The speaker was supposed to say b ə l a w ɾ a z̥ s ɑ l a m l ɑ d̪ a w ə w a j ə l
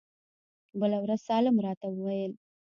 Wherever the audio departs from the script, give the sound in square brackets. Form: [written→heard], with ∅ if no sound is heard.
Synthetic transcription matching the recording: b ə l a w ɾ a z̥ s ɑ l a m [l→ɾ] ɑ [d̪→t̪] a w ə w a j ə l